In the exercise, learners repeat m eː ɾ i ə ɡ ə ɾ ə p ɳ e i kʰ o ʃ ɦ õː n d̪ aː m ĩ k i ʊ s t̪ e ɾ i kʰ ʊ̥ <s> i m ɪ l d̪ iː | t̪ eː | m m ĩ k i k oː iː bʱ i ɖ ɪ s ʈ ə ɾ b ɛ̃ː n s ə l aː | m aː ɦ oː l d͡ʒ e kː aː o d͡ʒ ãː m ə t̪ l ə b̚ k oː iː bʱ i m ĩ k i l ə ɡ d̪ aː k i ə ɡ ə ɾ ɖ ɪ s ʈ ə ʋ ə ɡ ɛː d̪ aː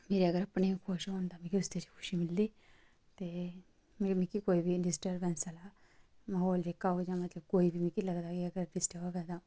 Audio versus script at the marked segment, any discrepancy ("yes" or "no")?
yes